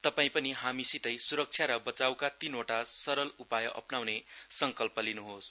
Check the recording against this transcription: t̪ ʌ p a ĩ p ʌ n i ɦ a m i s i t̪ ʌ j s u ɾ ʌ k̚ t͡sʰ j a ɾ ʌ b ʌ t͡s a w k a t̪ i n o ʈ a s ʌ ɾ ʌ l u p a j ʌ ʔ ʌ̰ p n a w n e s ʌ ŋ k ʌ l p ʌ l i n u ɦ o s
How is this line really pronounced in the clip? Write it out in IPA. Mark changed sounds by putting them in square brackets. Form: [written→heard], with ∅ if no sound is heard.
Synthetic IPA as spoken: t̪ ʌ p a ĩ p ʌ n i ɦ a m i s i t̪ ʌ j s u ɾ ʌ k̚ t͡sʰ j a ɾ ʌ b ʌ t͡s a w k a t̪ i n o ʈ a s ʌ ɾ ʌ l u p a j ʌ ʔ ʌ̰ p n a w n e s ʌ ŋ k ʌ l p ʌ l i n u ɦ o s